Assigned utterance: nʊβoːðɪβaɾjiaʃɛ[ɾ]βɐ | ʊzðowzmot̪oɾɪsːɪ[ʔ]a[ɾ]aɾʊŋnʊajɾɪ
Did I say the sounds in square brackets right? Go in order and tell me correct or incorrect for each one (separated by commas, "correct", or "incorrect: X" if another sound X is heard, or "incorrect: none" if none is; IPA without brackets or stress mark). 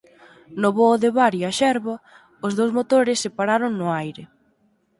correct, incorrect: p, correct